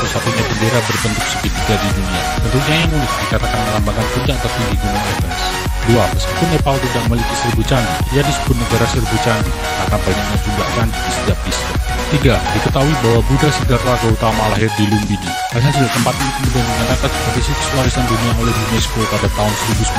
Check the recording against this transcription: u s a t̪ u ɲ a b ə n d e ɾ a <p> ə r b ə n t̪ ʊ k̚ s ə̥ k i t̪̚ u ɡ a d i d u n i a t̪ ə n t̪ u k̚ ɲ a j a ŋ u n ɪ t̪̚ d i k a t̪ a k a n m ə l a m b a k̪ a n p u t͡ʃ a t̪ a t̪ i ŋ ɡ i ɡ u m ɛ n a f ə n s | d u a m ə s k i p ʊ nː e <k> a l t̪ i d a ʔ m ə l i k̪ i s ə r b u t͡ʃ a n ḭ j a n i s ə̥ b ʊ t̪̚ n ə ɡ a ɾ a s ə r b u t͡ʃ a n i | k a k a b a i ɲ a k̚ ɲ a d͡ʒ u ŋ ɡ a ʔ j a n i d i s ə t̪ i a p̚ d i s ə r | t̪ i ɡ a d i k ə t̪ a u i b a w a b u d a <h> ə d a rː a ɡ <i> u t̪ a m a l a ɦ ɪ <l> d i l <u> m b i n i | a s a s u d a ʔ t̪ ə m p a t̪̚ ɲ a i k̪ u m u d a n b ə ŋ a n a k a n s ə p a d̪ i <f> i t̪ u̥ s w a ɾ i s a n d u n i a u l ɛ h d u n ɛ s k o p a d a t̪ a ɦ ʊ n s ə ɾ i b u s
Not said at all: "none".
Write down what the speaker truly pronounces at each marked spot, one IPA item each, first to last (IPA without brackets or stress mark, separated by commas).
b, p, s, a, r, u, s